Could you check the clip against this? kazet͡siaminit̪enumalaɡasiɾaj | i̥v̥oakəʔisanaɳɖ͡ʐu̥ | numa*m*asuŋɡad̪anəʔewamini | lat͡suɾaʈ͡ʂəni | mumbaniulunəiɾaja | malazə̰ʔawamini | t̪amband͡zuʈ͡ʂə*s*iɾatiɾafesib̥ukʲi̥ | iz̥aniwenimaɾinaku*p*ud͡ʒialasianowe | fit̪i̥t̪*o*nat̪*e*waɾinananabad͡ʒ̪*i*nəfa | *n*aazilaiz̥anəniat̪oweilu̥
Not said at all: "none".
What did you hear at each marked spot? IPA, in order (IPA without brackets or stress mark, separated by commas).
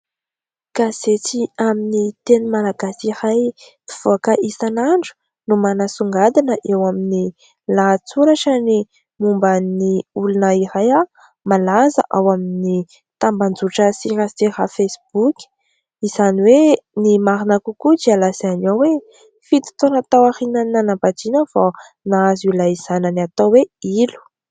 n, s, k, o, a, i, n